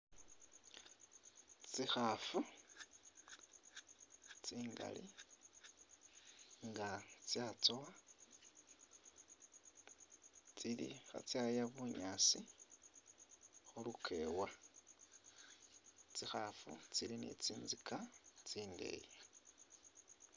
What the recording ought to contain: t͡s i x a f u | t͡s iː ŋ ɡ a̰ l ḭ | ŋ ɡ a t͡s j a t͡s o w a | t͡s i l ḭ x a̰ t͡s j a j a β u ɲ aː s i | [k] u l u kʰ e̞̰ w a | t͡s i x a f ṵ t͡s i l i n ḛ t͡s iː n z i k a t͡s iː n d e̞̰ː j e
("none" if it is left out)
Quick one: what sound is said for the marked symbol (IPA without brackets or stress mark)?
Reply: x